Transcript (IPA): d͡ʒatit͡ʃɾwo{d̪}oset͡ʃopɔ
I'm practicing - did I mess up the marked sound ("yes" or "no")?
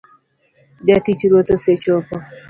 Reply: yes